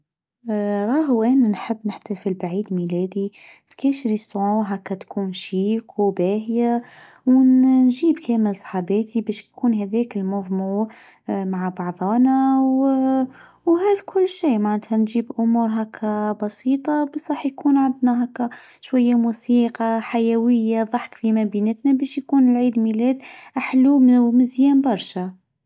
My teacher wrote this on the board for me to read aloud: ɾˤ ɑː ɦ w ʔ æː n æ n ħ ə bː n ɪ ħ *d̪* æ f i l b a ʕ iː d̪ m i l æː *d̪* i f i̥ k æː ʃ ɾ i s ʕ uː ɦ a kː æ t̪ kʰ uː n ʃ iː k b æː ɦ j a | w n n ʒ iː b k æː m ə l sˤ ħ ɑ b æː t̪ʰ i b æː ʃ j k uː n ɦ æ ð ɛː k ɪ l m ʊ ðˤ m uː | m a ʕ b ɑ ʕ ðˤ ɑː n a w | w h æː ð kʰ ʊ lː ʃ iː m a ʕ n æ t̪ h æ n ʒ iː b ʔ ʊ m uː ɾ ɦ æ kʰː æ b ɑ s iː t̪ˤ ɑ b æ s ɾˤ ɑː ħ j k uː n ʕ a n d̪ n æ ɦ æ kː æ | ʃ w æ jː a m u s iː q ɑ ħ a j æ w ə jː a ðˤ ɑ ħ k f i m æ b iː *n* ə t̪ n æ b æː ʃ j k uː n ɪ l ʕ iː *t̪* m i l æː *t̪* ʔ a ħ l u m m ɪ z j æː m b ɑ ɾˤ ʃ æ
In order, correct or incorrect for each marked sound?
incorrect, correct, correct, incorrect, incorrect

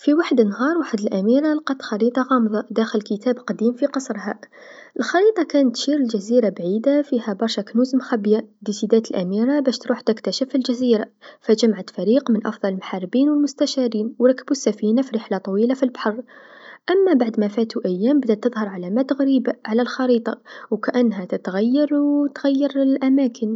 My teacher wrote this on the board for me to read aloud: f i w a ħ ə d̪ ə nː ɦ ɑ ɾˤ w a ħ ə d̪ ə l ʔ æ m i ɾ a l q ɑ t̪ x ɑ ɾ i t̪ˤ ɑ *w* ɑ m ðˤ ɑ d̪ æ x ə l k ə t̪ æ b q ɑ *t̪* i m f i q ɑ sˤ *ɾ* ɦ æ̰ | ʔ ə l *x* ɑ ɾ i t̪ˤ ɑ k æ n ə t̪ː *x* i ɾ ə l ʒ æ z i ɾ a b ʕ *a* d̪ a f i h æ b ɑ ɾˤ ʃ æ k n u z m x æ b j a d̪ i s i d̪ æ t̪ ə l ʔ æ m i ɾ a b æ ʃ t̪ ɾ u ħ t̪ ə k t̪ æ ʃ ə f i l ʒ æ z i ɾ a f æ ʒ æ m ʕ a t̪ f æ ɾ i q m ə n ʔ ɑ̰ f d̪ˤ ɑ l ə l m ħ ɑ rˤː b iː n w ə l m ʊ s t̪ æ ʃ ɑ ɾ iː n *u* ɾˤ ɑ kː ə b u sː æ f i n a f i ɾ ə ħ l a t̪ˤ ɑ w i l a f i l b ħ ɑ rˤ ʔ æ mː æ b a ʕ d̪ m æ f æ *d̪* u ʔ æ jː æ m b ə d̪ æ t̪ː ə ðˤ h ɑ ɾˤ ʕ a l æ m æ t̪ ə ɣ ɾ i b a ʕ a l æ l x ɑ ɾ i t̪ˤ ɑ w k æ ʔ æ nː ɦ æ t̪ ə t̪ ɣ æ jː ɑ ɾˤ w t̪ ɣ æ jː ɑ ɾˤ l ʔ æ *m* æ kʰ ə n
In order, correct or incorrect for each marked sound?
incorrect, incorrect, correct, correct, incorrect, incorrect, incorrect, incorrect, correct

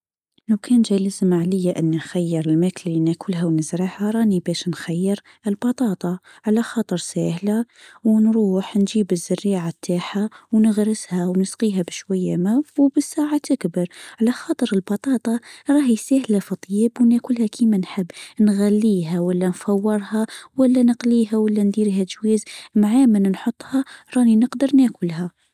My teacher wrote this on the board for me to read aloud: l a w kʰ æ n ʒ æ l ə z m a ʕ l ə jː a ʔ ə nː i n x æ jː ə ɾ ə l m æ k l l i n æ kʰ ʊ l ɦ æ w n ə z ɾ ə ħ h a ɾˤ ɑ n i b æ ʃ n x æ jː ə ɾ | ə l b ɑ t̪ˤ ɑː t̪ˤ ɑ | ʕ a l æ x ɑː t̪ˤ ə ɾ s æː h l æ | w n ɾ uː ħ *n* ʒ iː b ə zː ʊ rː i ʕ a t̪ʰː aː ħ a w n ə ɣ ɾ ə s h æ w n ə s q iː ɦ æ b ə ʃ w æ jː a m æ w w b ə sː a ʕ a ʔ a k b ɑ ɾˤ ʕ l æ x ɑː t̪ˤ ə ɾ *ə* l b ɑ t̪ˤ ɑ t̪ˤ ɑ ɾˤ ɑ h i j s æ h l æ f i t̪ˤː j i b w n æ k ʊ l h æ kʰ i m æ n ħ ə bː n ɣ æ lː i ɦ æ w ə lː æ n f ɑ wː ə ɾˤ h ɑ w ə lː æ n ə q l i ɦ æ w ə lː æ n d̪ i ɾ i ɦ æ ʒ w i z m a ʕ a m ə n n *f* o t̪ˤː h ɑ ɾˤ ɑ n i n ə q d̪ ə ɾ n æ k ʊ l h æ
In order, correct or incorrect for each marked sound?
correct, correct, incorrect

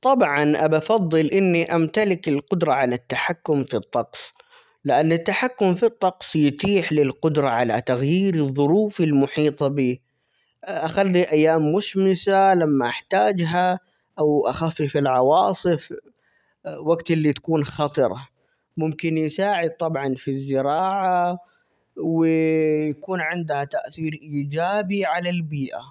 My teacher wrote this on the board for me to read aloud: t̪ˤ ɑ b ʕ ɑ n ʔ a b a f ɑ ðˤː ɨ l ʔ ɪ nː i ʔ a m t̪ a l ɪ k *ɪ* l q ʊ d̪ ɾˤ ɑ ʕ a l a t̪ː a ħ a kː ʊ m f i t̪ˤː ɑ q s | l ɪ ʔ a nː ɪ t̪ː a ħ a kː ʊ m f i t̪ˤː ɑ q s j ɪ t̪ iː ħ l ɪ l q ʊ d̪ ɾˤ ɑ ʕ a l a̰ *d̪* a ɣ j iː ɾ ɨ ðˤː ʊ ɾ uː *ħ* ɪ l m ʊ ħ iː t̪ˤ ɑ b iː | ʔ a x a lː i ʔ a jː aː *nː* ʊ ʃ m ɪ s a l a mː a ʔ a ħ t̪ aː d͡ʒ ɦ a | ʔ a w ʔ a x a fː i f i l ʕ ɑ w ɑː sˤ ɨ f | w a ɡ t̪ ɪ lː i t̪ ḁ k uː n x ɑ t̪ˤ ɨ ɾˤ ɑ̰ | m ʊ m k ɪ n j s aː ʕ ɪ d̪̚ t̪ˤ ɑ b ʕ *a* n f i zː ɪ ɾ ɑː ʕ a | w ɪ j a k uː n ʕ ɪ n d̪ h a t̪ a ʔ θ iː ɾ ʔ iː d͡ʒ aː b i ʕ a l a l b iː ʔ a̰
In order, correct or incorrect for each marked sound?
correct, incorrect, incorrect, incorrect, incorrect

